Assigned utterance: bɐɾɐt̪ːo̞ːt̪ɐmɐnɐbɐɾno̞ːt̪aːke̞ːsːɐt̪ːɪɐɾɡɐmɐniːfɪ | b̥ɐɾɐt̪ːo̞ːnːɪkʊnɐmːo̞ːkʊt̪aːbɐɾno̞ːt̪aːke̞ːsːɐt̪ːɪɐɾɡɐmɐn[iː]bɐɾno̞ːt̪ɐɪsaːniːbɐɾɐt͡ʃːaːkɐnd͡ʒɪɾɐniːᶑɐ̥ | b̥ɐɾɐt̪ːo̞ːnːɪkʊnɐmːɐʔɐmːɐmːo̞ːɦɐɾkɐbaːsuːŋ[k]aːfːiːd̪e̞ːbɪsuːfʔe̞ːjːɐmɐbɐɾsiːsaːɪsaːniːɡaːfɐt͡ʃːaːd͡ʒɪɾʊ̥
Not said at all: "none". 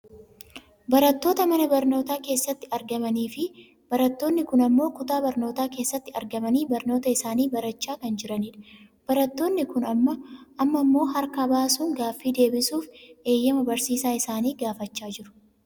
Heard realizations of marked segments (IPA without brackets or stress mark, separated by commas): iː, ɡ